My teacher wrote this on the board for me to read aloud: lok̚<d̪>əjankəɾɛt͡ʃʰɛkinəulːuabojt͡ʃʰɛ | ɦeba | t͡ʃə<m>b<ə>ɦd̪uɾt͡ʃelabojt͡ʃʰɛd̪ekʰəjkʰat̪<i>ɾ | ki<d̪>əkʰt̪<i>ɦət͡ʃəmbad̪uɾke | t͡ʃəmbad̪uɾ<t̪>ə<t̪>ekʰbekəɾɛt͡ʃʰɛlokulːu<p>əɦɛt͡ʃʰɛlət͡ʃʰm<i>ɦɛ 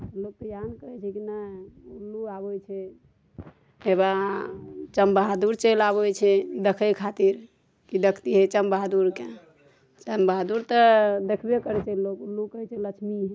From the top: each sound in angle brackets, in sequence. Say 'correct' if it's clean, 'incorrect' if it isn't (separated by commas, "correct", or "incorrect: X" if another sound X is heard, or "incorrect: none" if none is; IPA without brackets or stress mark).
incorrect: t̪, correct, incorrect: a, correct, correct, correct, correct, incorrect: d̪, incorrect: k, correct